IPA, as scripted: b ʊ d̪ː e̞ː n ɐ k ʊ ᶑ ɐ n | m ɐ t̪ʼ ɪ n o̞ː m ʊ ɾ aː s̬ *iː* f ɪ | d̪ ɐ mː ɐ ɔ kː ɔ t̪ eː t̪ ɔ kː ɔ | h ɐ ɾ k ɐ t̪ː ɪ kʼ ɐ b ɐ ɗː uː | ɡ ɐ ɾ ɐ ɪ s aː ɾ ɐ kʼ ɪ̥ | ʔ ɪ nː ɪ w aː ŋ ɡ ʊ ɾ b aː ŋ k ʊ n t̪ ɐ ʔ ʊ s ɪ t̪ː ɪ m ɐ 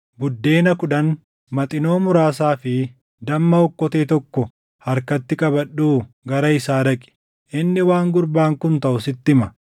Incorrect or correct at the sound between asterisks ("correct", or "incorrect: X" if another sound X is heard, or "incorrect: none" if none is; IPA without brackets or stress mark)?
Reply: incorrect: aː